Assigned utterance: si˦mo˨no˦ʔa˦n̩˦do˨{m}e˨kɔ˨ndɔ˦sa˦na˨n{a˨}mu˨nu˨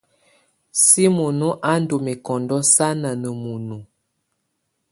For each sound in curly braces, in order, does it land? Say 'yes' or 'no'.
yes, no

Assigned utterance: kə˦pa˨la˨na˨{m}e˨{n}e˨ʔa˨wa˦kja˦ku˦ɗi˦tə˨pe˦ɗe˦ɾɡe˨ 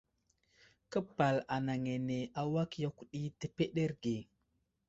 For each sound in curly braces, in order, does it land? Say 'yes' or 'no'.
no, yes

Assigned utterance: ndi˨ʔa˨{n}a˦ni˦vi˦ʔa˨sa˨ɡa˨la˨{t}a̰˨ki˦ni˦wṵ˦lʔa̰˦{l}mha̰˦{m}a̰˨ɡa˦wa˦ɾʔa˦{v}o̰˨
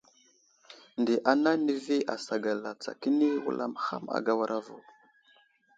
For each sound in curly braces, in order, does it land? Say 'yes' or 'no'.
yes, no, no, yes, yes

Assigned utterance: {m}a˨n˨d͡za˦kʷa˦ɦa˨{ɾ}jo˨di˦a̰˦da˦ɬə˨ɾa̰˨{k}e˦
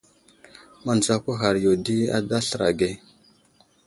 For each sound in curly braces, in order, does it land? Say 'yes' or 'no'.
yes, yes, no

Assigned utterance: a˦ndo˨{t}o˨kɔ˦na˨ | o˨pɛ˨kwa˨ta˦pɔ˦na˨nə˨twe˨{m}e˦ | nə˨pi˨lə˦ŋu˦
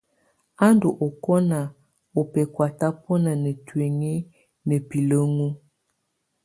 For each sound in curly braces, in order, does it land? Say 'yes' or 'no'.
no, no

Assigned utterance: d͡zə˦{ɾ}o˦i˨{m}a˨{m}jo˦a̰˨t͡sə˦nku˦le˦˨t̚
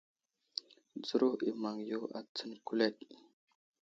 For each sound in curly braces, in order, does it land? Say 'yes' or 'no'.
yes, yes, no

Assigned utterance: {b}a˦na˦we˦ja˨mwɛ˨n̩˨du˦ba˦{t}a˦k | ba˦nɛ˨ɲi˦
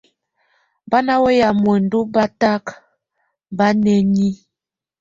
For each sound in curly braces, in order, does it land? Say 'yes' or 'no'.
yes, yes

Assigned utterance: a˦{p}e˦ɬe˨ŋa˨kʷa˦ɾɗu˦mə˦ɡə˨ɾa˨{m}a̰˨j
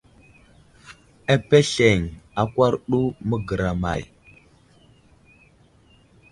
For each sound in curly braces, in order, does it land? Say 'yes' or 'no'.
yes, yes

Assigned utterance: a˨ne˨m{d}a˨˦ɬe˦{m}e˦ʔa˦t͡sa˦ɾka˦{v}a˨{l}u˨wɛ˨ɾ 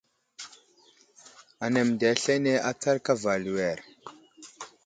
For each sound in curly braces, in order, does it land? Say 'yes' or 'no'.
yes, no, yes, yes

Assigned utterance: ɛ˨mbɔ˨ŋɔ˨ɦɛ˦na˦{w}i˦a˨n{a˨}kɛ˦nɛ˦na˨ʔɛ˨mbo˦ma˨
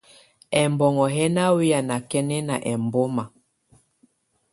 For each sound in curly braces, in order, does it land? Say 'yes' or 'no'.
yes, yes

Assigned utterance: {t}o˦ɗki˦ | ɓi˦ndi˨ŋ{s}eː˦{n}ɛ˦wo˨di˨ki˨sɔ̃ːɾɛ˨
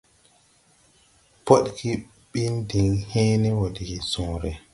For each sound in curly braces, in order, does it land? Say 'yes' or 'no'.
no, no, yes

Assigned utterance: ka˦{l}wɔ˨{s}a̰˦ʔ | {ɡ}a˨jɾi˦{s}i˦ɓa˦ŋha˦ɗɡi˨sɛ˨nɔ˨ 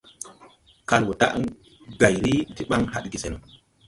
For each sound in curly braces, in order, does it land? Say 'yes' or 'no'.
yes, no, yes, no

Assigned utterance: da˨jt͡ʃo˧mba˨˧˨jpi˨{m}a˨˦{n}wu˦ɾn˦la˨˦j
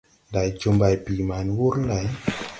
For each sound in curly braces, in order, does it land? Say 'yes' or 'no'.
yes, yes

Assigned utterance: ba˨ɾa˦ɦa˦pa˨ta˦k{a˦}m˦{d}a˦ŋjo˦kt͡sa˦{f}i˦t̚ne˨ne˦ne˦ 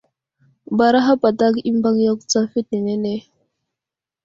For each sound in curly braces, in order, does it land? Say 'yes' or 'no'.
no, no, yes

